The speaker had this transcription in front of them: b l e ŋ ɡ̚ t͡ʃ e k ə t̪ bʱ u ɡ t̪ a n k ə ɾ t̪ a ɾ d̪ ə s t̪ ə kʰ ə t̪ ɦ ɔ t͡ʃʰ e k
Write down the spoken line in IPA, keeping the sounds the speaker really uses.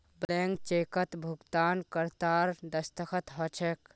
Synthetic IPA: b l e ŋ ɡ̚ t͡ʃ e k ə t̪ bʱ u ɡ t̪ a n k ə ɾ t̪ a ɾ d̪ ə s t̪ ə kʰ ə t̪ ɦ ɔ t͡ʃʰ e k